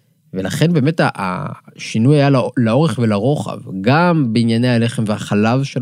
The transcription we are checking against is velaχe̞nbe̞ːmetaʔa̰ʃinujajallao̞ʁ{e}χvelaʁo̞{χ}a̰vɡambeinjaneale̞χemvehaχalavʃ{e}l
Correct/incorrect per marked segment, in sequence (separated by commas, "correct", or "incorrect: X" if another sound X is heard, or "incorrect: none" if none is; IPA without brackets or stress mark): correct, correct, correct